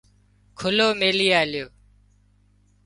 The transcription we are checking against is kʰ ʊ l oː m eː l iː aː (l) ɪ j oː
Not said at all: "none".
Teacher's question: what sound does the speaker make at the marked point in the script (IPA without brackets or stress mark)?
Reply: l